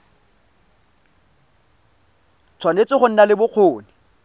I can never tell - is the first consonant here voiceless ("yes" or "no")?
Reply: yes